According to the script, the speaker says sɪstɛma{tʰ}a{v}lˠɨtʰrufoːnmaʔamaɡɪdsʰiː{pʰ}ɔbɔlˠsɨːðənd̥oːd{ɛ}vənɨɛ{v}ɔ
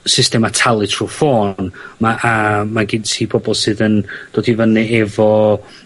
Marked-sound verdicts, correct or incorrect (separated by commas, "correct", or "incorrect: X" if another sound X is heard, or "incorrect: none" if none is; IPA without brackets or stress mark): correct, incorrect: none, correct, incorrect: i, correct